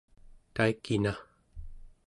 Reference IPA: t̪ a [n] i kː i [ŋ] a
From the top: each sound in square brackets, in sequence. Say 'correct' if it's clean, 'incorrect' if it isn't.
incorrect, incorrect

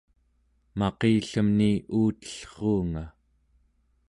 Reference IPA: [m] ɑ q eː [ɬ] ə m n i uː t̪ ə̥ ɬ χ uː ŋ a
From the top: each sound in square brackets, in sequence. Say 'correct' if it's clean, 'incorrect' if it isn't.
correct, correct

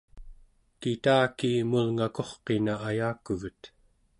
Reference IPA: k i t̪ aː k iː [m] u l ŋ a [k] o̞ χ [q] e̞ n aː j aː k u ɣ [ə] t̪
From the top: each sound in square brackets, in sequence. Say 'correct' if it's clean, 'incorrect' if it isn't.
correct, correct, correct, correct

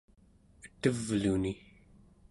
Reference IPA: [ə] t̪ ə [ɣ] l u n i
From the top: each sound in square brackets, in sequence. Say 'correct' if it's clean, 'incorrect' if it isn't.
correct, incorrect

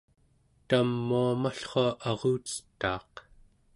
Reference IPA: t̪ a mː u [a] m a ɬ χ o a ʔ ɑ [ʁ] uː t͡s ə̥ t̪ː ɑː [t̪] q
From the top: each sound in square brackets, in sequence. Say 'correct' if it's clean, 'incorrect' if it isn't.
correct, correct, incorrect

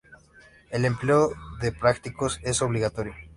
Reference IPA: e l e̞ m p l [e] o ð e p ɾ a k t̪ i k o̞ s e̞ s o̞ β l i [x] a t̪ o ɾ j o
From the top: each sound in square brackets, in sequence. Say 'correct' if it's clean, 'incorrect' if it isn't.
correct, incorrect

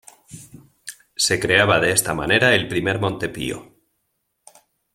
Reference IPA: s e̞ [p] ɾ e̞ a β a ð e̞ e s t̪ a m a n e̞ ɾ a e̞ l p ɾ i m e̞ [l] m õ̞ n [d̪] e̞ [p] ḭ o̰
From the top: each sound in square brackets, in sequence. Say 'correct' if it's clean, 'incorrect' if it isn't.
incorrect, incorrect, incorrect, correct

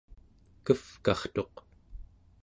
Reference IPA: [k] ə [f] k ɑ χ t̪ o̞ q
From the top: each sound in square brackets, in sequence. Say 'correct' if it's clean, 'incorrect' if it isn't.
correct, correct

